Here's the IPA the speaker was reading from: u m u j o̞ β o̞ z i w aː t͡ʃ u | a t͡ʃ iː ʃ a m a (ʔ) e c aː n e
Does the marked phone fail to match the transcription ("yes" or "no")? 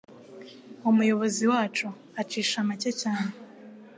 yes